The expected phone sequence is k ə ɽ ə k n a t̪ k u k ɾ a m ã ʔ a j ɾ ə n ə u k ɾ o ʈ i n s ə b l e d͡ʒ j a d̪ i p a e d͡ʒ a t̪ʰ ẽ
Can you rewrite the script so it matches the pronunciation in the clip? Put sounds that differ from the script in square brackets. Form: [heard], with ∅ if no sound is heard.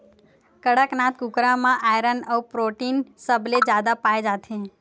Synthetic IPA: k ə ɽ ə k n a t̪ k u k ɾ a m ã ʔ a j ɾ ə n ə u [p] ɾ o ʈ i n s ə b l e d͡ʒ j a d̪ [a] p a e d͡ʒ a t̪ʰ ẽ